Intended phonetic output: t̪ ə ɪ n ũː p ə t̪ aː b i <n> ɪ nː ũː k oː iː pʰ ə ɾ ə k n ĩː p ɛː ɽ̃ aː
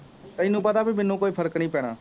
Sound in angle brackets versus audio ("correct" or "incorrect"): incorrect